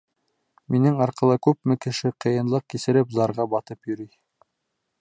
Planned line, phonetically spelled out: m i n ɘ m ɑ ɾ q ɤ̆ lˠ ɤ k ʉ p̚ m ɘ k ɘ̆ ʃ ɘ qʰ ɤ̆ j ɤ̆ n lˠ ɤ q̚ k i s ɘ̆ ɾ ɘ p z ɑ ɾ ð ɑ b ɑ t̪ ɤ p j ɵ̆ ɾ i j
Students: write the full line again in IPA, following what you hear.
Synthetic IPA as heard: m i n ɘ ŋ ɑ ɾ q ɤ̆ lˠ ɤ k ʉ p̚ m ɘ k ɘ̆ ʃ ɘ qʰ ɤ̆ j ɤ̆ n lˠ ɤ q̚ k i s ɘ̆ ɾ ɘ p z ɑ ɾ ʁ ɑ b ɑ t̪ ɤ p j ɵ̆ ɾ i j

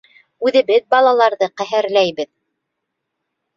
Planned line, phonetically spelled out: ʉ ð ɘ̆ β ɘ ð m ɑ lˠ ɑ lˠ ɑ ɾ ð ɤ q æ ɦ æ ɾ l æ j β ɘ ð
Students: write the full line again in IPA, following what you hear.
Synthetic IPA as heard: ʉ ð ɘ̆ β ɘ ð b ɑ lˠ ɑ lˠ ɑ ɾ ð ɤ q æ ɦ æ ɾ l æ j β ɘ ð

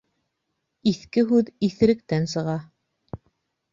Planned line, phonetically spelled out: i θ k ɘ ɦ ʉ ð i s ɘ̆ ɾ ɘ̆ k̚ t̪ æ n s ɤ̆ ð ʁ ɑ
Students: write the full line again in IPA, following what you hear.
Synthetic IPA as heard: i θ k ɘ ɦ ʉ ð i θ ɘ̆ ɾ ɘ̆ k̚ t̪ æ n s ɤ̆ ʁ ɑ

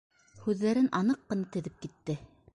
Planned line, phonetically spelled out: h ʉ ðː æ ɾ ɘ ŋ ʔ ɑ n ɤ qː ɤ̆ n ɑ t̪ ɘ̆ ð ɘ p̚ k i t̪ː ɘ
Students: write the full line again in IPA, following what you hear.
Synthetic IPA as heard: h ʉ ðː æ ɾ ɘ n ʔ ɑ n ɤ qː ɤ̆ n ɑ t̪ ɘ̆ ð ɘ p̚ k i t̪ː ɘ

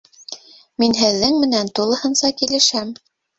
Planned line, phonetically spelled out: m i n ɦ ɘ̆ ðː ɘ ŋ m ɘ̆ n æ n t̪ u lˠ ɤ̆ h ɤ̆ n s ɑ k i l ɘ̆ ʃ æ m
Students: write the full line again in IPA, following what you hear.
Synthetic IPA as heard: m i n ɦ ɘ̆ ðː ɘ ŋ m ɘ̆ n æ n t̪ u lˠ ɤ̆ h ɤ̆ n s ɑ k i l ɘ̆ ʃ æ m

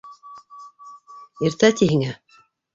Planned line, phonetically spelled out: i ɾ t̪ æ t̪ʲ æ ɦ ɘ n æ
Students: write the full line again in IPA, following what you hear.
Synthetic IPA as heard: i ɾ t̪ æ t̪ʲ i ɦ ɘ ŋ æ

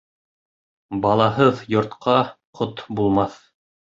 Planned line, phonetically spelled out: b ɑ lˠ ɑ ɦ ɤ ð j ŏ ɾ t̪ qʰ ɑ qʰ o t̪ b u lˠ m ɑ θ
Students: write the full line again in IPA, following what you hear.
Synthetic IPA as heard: b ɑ lˠ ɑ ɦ ɤ ð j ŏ ɾ t̪ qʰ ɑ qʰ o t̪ b u lˠ m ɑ θ

